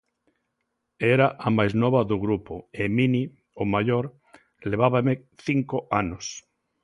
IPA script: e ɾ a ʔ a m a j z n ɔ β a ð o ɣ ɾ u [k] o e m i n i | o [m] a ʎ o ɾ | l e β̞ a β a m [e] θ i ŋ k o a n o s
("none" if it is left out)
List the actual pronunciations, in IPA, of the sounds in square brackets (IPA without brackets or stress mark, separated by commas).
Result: p, m, e